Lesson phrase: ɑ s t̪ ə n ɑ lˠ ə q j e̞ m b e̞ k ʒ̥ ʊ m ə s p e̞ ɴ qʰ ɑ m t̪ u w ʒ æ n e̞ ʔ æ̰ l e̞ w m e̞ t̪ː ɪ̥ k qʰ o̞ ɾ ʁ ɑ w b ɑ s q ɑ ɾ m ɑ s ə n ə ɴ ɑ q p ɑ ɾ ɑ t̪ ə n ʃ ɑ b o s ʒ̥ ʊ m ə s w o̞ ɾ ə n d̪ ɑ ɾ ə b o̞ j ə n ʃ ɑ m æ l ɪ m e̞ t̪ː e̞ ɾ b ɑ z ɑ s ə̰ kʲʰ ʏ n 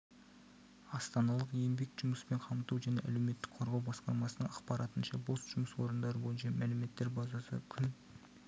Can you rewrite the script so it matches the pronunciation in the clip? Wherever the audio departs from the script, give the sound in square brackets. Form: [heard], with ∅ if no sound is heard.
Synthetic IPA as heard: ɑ s t̪ [ɑ] n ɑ lˠ ə q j e̞ m b e̞ k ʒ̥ ʊ m ə s p e̞ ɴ qʰ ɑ m t̪ u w ʒ æ n e̞ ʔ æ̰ l e̞ w m e̞ t̪ː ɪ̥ k qʰ o̞ ɾ ʁ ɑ w b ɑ s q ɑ ɾ m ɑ s ə n ə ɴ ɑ q p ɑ ɾ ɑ t̪ ə n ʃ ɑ b o s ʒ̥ ʊ m ə s w o̞ ɾ ə n d̪ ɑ ɾ ə b o̞ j ə n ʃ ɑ m æ l ɪ m e̞ t̪ː e̞ ɾ b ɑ z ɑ s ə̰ kʲʰ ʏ n

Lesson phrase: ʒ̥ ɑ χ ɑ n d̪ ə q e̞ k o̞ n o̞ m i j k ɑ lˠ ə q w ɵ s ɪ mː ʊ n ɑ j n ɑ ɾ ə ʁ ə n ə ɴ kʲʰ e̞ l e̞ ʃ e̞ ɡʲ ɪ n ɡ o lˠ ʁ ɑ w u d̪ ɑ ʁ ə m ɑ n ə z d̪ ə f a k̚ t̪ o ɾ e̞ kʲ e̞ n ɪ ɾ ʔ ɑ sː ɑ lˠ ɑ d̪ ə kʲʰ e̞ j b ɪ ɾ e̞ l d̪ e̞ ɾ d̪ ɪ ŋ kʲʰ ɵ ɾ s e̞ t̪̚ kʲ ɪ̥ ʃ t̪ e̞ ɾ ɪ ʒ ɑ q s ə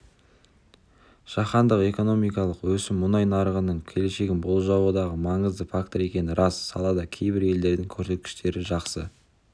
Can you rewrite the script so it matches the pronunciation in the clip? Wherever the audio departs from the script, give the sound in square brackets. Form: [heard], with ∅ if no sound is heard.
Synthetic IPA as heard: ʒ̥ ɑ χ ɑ n d̪ ə q e̞ k o̞ n o̞ m i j k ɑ lˠ ə q w ɵ s ɪ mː ʊ n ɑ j n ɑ ɾ ə ʁ ə n ə ɴ kʲʰ e̞ l e̞ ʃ e̞ ɡʲ ɪ n [b] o lˠ [ʒ] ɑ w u d̪ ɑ ʁ ə m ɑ [ɴ] ə z d̪ ə f a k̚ t̪ o ɾ e̞ kʲ e̞ n ɪ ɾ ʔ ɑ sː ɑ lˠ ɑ d̪ [ɑ] kʲʰ e̞ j b ɪ ɾ e̞ l d̪ e̞ ɾ d̪ ɪ ŋ kʲʰ ɵ ɾ s e̞ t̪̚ kʲ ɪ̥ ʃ t̪ e̞ ɾ ɪ ʒ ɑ q s ə

